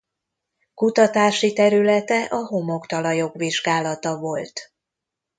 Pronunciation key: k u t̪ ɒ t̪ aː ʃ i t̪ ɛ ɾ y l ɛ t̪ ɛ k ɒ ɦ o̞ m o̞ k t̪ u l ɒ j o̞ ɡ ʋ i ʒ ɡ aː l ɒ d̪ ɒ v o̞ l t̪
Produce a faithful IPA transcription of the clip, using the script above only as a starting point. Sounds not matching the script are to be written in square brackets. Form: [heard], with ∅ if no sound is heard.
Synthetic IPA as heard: k u t̪ ɒ t̪ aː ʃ i t̪ ɛ ɾ y l ɛ t̪ ɛ [ʔ] ɒ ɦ o̞ m o̞ k t̪ [ɒ] l ɒ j o̞ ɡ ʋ i ʒ ɡ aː l ɒ [t̪] ɒ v o̞ l t̪